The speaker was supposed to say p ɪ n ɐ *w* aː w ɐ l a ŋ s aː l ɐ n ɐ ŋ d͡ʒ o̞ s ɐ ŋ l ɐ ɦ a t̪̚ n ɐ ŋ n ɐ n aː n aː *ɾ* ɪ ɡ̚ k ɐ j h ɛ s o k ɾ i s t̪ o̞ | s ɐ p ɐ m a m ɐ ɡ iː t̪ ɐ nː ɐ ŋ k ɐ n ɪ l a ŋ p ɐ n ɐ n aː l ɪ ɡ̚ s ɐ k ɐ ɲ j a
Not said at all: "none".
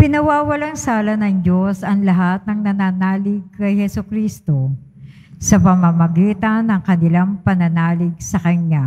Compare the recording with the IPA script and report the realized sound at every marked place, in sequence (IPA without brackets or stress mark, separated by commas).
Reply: w, l